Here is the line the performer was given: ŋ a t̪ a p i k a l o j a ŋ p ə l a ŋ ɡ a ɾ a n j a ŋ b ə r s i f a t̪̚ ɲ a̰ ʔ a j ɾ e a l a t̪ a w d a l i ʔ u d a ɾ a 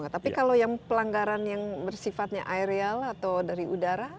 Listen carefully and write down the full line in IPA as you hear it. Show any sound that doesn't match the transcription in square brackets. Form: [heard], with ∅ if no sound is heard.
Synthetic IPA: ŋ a t̪ a p i k a l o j a ŋ p ə l a ŋ ɡ a ɾ a n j a ŋ b ə r s i f a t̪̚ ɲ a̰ ʔ a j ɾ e a l a t̪ a w d a [ɾ] i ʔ u d a ɾ a